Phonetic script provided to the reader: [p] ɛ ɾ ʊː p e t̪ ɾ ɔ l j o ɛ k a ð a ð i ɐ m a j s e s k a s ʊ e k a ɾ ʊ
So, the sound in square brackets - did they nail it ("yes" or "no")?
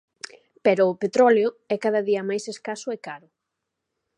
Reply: yes